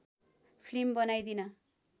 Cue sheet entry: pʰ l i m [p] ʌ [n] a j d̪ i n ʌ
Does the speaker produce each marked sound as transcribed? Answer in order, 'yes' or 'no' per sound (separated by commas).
no, yes